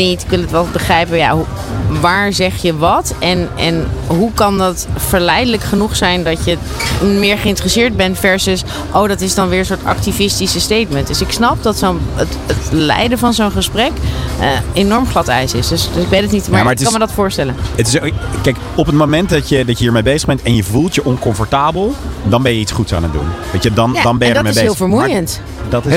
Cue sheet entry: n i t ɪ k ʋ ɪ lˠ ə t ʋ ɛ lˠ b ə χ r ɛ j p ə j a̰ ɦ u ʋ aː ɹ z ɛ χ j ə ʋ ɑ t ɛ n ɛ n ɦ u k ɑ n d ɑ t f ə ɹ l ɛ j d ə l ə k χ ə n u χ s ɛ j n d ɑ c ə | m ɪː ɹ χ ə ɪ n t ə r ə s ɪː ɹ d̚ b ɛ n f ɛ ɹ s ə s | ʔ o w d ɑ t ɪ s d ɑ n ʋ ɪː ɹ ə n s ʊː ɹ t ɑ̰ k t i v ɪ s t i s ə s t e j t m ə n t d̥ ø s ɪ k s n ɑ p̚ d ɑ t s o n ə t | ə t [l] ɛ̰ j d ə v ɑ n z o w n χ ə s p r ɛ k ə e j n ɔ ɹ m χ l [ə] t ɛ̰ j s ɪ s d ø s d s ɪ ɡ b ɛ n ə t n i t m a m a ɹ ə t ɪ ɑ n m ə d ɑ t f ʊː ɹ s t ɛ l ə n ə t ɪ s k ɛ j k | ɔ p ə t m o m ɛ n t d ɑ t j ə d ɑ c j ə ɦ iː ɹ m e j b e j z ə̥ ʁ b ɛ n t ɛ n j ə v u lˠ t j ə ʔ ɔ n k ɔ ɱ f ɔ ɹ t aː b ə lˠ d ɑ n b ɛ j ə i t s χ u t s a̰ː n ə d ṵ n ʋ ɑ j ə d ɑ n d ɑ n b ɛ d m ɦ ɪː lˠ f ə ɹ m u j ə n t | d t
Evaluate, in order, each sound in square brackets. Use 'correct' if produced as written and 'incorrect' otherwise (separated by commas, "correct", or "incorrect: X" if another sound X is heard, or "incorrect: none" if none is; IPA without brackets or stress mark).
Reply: correct, incorrect: ɑ